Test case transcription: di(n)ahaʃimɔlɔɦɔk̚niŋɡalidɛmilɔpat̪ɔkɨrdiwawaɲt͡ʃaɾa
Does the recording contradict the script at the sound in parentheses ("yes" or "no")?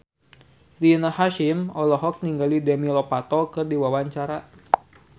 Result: no